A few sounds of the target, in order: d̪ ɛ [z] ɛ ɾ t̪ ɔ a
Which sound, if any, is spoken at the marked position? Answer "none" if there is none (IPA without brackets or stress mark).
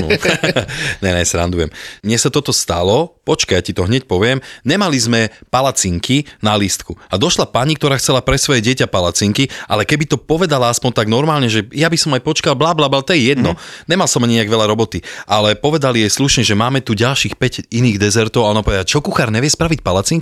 z